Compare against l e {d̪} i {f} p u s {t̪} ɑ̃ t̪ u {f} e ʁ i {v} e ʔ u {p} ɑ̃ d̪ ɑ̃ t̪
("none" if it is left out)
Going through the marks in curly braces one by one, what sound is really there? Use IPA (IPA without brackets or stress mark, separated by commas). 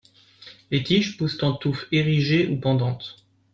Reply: t̪, ʃ, t̪, f, ʒ, p